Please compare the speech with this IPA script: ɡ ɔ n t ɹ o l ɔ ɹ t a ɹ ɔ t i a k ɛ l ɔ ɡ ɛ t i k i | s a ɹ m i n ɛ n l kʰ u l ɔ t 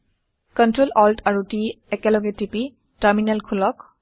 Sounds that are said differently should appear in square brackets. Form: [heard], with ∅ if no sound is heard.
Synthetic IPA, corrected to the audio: [k] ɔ n t ɹ o l ɔ [l] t a ɹ [u] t i [ɛ] k ɛ l ɔ ɡ ɛ t i [p] i | [t] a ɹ m i n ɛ [∅] l kʰ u l ɔ [k]

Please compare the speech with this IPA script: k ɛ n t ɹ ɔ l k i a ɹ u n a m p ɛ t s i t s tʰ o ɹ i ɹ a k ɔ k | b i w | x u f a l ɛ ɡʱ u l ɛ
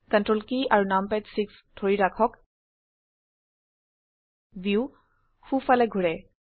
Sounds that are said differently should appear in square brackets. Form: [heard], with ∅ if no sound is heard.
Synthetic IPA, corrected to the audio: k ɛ n t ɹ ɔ l k i a ɹ u n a m p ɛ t s i [k] s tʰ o ɹ i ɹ a [kʰ] ɔ k | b i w | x u f a l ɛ ɡʱ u [ɹ] ɛ

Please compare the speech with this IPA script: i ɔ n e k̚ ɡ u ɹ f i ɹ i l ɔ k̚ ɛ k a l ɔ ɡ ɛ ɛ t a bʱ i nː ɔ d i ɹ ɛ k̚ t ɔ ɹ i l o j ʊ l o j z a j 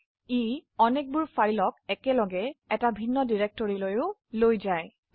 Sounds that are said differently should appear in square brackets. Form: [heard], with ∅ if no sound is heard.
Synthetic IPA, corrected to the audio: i ɔ n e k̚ [b] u ɹ f [a] ɹ i l ɔ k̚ ɛ k [ɛ] l ɔ ɡ ɛ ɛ t a bʱ i nː ɔ d i ɹ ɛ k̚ t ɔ ɹ i l o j ʊ l o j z a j

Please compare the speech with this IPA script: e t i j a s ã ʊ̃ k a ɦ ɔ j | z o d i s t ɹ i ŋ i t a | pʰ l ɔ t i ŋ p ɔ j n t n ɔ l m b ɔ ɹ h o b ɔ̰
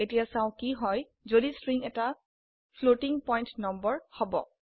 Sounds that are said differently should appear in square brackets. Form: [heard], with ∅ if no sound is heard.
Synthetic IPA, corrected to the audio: e t i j a s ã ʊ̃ k [i] ɦ ɔ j | z o d i s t ɹ i ŋ [ɛ] t a | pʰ l [o] t i ŋ p ɔ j n t n ɔ [∅] m b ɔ ɹ h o b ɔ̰

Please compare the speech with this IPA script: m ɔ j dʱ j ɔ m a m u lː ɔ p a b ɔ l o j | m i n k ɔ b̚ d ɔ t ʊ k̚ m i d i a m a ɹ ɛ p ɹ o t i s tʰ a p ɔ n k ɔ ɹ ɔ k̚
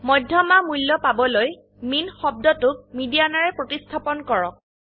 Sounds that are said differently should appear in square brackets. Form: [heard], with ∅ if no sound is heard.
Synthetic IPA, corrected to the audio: m ɔ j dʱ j ɔ m a m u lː ɔ p a b ɔ l o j | m i n [x] ɔ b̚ d ɔ t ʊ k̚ m i d i a [n] a ɹ ɛ p ɹ o t i s tʰ a p ɔ n k ɔ ɹ ɔ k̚

